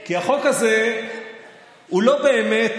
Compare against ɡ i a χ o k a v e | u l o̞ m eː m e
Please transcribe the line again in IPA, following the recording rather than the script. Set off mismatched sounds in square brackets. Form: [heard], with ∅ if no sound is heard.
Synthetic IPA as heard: [k] i a χ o k a [z] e | u l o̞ [b] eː m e